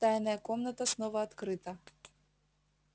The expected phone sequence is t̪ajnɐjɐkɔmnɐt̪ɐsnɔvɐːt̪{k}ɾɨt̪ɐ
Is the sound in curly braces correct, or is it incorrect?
correct